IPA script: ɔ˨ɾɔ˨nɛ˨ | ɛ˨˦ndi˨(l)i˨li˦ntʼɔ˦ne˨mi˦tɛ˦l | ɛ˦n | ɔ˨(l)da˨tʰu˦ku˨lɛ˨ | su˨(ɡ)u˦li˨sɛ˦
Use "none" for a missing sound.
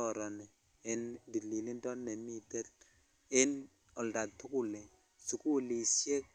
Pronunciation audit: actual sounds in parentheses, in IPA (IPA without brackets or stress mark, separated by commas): l, l, k